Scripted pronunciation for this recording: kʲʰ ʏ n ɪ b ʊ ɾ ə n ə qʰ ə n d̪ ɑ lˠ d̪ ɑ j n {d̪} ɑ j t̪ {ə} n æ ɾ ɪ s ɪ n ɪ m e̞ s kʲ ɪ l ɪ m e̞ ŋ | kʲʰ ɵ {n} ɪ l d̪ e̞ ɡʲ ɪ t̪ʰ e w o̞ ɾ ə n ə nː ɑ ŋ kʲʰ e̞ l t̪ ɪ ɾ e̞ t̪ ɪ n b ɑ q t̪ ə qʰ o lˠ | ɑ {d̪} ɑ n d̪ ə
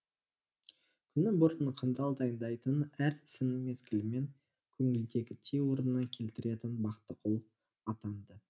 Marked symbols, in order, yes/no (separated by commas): yes, yes, no, no